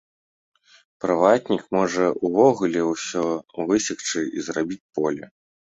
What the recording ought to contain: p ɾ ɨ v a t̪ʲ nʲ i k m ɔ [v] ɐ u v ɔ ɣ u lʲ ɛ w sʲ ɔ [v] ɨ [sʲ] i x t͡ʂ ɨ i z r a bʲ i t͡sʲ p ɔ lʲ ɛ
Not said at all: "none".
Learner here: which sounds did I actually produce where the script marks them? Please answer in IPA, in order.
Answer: ʐ, v, sʲ

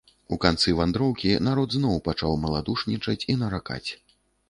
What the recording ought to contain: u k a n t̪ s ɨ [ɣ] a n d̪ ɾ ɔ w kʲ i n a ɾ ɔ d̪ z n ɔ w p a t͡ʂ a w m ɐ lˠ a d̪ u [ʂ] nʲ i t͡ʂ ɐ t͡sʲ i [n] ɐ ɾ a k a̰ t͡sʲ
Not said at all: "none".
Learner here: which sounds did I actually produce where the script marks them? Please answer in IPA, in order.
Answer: v, ʂ, n

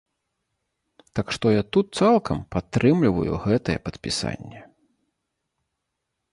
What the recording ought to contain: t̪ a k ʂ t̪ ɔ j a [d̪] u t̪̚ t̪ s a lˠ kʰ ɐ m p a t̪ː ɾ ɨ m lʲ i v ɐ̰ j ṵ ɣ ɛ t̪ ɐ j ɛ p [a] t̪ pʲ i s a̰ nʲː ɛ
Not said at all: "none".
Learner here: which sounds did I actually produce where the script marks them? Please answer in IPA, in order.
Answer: t̪, ɐ

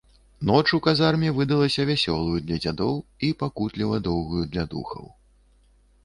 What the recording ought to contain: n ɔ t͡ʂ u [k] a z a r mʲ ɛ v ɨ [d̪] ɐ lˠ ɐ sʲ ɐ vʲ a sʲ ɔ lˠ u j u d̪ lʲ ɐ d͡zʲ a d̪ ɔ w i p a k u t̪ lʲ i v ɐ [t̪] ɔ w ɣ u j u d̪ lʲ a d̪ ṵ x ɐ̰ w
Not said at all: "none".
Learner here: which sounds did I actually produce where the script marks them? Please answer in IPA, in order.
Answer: k, d̪, d̪

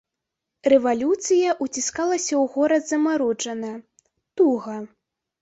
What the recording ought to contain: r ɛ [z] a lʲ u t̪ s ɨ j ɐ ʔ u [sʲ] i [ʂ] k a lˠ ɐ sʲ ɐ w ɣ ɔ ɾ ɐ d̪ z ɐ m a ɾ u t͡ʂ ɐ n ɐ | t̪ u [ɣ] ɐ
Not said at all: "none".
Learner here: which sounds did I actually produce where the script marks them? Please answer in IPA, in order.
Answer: v, t͡sʲ, s, ɣ

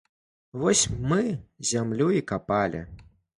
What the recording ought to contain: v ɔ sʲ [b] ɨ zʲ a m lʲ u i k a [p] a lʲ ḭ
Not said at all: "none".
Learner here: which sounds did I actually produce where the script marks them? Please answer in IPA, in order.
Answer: m, p

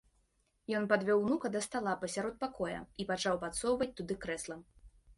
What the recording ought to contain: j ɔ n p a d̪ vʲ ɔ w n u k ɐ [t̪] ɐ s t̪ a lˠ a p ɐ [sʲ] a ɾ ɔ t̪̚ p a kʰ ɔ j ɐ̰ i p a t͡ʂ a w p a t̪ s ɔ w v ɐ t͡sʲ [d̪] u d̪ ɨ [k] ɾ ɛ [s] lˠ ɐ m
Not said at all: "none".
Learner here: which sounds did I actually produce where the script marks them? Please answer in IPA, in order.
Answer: d̪, sʲ, t̪, k, s

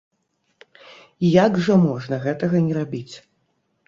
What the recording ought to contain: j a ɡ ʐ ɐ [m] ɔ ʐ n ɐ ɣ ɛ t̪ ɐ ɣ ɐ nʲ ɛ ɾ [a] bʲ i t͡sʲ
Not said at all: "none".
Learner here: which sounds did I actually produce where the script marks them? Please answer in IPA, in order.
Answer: m, a

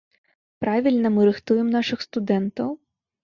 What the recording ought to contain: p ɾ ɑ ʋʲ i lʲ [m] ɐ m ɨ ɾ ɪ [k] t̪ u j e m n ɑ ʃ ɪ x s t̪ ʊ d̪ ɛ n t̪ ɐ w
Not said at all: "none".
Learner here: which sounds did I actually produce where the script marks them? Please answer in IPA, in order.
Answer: n, x

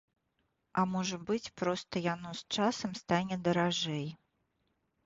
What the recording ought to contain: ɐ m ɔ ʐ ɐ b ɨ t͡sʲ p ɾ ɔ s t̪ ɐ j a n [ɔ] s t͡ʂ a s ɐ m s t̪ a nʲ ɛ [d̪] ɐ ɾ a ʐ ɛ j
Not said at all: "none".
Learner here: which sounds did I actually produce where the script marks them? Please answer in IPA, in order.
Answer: ɔ, d̪

